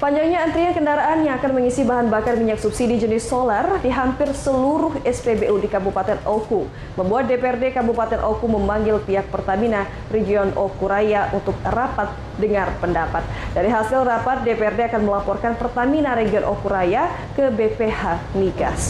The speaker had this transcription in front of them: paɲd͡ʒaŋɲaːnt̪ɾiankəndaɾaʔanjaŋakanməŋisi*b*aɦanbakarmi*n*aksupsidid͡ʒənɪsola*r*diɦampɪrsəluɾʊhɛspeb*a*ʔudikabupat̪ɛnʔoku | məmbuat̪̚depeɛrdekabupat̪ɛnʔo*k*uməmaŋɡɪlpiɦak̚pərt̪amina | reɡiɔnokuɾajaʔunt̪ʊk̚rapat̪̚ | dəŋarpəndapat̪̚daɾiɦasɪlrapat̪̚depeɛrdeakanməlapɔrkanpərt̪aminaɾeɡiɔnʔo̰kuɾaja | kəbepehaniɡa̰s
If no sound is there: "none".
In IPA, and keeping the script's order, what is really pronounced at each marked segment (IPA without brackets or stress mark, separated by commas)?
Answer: b, ɲ, r, e, k